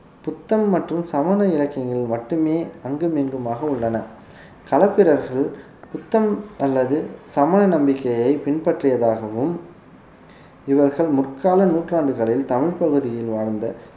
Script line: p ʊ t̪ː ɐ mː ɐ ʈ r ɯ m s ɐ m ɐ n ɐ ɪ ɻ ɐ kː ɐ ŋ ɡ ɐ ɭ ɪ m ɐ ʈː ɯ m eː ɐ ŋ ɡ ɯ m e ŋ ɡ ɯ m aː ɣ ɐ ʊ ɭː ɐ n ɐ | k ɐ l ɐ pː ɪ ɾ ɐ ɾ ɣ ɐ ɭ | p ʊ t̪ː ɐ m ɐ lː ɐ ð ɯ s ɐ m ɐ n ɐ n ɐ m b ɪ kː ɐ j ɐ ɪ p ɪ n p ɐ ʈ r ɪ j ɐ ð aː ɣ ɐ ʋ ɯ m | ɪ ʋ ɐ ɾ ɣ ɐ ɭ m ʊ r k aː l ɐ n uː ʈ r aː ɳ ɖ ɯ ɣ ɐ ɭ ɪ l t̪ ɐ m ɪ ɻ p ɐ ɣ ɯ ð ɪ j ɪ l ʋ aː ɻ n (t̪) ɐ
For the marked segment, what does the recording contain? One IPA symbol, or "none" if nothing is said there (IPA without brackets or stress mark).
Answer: d̪